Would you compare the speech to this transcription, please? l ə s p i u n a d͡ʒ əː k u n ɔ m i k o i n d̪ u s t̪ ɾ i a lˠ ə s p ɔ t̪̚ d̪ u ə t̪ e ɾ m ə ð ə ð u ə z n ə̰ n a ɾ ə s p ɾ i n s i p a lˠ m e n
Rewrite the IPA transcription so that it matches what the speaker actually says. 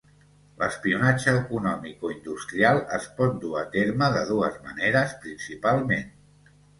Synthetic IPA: l ə s p i u n a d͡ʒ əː k u n ɔ m i k o i n d̪ u s t̪ ɾ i a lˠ ə s p ɔ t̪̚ d̪ u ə t̪ e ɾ m ə ð ə ð u ə z m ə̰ n e ɾ ə s p ɾ i n s i p a lˠ m e n